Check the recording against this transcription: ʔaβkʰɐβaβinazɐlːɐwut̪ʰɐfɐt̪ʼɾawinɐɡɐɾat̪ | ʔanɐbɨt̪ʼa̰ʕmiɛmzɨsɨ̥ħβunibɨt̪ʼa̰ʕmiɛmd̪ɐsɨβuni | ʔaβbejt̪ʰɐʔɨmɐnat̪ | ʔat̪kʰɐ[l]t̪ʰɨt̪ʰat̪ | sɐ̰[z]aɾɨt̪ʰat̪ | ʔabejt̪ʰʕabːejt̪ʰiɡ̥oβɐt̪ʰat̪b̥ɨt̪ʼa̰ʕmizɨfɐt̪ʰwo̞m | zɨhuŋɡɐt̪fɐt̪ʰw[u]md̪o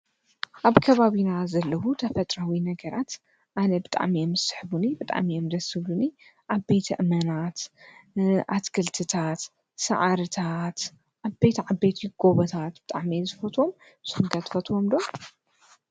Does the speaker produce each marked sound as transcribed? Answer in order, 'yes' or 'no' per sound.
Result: yes, no, no

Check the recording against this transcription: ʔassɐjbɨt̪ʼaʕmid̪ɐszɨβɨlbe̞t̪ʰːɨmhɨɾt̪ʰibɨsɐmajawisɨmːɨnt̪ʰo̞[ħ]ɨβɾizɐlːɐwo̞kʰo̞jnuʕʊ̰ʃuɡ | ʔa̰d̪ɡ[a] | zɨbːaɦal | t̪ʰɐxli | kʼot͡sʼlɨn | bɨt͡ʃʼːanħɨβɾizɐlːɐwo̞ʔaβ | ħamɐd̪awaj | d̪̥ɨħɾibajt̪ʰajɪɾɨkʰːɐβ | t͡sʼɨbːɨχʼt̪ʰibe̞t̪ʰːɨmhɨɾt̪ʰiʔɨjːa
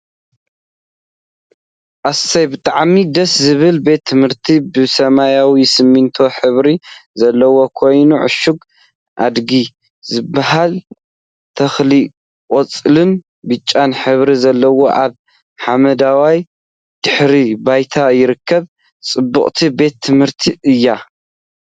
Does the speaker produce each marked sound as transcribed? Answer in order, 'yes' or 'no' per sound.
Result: yes, no

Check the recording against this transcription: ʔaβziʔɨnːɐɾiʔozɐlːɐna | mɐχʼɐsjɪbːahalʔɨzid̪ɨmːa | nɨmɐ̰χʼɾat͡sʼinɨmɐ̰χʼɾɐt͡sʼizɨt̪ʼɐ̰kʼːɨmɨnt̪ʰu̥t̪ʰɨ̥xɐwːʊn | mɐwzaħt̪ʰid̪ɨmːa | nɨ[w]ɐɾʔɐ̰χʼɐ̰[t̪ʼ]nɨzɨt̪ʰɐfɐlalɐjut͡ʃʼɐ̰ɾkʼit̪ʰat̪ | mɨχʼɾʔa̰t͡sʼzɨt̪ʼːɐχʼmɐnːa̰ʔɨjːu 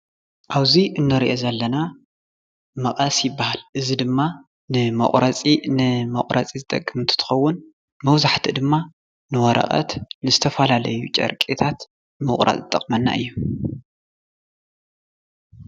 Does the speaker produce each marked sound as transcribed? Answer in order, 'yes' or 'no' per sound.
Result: yes, no

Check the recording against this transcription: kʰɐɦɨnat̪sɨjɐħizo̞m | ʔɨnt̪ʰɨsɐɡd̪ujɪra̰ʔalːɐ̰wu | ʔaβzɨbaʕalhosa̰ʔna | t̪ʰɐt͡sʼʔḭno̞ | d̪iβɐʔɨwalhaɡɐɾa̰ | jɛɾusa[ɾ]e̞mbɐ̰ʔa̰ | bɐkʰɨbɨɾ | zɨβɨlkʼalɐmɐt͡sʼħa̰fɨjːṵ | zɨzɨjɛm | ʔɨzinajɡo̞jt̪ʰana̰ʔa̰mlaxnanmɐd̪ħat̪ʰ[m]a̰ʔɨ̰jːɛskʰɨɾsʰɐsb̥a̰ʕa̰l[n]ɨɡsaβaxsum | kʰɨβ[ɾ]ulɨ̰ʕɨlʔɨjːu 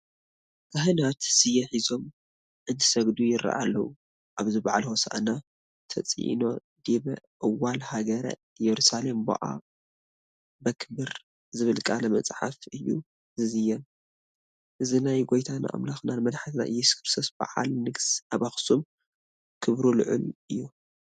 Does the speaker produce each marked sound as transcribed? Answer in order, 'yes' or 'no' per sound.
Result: no, no, yes, yes

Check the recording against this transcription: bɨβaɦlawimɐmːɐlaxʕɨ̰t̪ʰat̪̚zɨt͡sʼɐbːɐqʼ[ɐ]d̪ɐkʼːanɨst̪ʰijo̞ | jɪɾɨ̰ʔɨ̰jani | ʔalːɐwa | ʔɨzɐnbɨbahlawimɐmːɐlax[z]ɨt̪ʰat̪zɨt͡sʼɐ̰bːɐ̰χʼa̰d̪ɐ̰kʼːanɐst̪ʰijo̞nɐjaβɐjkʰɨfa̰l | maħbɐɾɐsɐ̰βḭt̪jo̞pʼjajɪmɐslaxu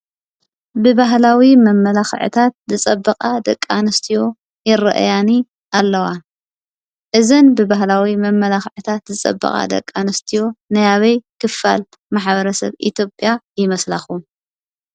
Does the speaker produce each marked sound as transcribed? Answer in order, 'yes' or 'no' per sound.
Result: no, no

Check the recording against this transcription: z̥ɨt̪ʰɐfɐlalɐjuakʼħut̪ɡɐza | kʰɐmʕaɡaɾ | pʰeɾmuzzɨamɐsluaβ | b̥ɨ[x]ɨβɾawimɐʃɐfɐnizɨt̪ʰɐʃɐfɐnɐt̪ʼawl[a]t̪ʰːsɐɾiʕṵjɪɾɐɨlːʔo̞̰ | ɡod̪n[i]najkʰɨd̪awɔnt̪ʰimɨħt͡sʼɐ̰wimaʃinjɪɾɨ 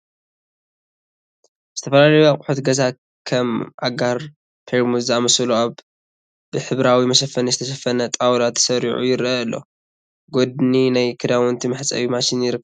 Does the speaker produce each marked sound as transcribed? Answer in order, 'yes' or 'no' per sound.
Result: no, yes, yes

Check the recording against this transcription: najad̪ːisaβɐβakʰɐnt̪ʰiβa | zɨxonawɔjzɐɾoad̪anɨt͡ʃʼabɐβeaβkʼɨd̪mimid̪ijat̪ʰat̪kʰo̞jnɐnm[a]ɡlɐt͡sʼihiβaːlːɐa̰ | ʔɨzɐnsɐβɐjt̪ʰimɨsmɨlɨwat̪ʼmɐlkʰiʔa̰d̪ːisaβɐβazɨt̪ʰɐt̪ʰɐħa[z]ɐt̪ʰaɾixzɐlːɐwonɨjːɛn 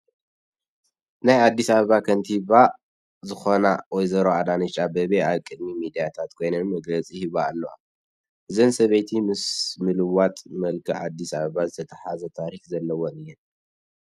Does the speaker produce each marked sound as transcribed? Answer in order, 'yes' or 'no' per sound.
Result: no, yes

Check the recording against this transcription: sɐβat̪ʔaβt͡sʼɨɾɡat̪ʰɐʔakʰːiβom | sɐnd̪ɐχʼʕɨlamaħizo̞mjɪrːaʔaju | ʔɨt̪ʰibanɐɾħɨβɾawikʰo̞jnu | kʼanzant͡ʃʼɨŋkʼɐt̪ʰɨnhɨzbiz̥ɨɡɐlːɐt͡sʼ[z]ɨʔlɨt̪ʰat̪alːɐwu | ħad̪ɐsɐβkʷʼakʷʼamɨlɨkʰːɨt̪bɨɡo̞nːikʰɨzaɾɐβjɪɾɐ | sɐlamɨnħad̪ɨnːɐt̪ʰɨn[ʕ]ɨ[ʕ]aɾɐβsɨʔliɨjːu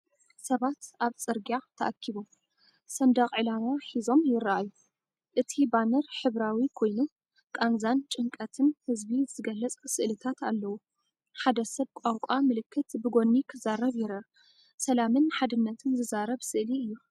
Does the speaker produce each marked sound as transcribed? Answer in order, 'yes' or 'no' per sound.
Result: no, no, no

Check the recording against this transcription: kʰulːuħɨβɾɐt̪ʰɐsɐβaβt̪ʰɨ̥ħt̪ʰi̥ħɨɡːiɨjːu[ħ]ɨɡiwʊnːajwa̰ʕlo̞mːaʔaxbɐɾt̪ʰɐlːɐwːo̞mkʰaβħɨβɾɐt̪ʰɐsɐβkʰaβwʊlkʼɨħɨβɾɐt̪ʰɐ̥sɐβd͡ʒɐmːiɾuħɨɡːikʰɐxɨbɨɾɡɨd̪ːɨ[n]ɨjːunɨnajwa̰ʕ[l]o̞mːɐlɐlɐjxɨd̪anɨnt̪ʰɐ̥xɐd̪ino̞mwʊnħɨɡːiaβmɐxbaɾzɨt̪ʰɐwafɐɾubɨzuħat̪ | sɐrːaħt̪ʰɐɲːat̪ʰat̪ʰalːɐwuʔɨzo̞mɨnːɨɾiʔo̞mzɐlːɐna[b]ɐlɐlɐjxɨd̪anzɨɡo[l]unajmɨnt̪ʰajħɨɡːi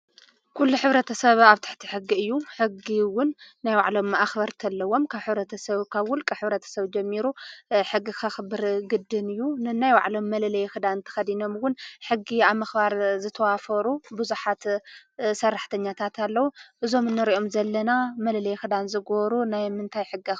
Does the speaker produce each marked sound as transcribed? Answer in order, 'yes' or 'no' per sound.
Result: yes, yes, yes, no, no

